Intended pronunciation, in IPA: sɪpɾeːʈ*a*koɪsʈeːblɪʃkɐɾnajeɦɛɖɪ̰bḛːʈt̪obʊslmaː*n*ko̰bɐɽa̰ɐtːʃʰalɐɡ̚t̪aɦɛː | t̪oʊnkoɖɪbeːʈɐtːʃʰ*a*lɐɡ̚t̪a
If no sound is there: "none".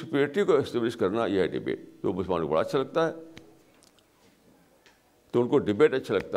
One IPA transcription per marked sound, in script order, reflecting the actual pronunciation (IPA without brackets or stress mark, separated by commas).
i, n, a